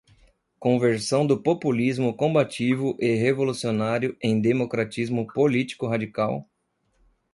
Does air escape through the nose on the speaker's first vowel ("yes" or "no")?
yes